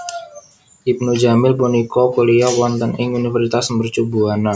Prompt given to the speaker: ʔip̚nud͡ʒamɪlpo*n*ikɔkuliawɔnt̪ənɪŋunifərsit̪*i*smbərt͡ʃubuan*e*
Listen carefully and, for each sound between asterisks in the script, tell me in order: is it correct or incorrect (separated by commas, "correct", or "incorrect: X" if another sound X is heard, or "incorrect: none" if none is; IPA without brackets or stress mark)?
correct, incorrect: a, incorrect: a